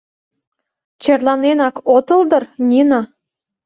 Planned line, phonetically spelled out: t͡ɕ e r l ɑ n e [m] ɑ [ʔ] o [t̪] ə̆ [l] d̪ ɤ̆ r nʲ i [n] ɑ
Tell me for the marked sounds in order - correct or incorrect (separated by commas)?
incorrect, incorrect, correct, correct, correct